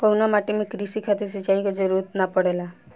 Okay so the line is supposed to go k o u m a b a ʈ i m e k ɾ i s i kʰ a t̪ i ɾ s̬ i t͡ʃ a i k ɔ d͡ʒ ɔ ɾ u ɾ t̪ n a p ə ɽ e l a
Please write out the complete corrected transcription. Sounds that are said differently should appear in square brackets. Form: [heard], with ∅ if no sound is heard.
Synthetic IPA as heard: k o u [n] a [m] a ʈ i m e k ɾ i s i kʰ a t̪ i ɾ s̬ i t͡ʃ a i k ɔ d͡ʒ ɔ ɾ u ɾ t̪ n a p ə ɽ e l a